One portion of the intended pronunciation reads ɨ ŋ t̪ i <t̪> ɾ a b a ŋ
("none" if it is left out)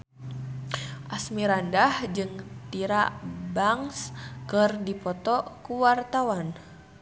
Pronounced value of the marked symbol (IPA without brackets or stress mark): none